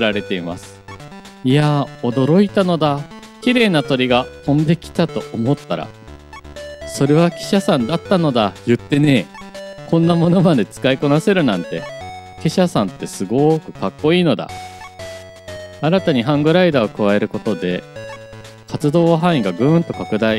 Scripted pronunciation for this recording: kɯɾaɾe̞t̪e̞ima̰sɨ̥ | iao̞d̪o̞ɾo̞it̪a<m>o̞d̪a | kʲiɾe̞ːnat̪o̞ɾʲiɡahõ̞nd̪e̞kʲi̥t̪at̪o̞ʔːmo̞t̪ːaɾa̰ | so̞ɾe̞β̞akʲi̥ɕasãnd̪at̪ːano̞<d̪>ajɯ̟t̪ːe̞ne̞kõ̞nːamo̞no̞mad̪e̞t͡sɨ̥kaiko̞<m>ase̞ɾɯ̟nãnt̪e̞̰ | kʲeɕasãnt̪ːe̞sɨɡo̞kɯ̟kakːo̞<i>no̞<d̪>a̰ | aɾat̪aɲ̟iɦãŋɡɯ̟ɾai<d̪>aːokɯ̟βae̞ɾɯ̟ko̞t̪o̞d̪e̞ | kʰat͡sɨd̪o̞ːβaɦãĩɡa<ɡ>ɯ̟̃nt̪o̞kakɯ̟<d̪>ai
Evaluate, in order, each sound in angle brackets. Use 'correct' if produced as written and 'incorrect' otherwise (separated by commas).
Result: incorrect, correct, incorrect, incorrect, correct, correct, correct, correct